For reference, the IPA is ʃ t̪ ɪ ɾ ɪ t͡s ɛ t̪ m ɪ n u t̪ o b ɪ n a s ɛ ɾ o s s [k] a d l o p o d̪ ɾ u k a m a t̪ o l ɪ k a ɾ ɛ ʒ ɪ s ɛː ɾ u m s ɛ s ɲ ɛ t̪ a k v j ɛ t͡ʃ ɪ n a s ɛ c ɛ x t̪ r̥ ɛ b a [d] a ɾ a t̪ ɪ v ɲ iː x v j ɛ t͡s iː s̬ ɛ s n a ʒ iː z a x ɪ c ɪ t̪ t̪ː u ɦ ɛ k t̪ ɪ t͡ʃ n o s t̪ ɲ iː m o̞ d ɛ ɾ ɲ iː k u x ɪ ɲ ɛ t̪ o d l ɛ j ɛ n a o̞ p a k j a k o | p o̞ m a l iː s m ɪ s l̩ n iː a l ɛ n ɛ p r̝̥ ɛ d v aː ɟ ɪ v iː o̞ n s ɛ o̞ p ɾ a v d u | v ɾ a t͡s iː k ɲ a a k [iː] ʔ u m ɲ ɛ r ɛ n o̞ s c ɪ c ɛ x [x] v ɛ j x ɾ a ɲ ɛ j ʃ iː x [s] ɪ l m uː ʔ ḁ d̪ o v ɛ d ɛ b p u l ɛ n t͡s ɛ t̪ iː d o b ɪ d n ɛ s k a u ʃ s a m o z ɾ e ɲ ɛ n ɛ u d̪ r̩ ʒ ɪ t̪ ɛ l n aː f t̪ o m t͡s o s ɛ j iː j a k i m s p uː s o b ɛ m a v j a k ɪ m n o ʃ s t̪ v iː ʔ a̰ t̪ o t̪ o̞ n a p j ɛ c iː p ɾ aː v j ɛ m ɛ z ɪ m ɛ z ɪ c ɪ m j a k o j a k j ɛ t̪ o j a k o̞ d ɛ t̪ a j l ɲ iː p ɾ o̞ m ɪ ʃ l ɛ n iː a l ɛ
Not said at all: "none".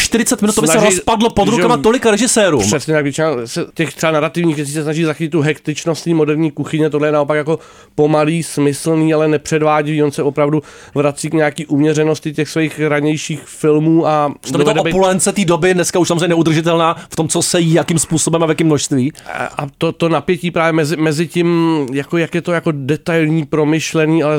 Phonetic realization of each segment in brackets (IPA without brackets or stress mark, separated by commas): p, n, iː, s, f